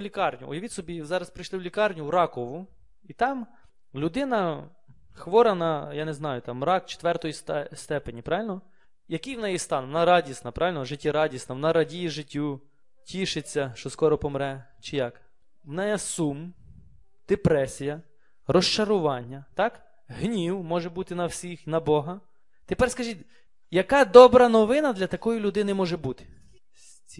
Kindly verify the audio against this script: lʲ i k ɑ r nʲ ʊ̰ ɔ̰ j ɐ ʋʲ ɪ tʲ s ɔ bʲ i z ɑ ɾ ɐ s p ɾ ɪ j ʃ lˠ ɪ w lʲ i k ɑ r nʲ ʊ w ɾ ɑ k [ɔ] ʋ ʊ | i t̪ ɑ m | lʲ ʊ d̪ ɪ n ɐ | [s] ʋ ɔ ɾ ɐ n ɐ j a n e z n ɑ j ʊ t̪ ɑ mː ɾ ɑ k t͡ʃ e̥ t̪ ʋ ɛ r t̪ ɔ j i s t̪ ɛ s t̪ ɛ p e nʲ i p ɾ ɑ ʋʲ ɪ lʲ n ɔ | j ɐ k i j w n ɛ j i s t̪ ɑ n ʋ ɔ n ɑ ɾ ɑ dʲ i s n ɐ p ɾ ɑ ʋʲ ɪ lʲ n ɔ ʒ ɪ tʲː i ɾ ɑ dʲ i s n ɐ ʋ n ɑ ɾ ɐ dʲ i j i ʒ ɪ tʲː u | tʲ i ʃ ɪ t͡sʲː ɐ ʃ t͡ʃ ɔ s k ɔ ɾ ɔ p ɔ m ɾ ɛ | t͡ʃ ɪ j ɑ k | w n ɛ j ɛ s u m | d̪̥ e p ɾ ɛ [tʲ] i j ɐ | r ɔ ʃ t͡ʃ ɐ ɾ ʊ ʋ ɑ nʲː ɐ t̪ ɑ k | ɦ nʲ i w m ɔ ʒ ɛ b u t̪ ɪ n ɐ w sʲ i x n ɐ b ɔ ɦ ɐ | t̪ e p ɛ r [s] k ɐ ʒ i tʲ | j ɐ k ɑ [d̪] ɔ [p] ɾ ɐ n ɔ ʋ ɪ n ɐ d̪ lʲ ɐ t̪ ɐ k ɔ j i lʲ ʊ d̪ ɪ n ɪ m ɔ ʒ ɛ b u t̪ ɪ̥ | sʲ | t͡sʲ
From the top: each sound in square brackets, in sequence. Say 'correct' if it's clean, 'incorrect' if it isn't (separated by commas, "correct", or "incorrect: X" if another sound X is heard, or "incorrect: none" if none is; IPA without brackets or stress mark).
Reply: correct, incorrect: x, incorrect: sʲ, correct, correct, incorrect: b